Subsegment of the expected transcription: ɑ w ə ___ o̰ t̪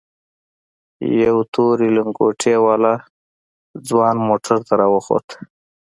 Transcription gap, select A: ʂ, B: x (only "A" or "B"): B